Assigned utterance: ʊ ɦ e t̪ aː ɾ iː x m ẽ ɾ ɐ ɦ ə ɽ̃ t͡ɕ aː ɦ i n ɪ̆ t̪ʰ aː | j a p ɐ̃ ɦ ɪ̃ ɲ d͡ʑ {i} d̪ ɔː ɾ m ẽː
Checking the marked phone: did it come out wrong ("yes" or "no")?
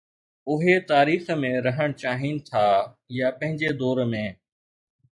yes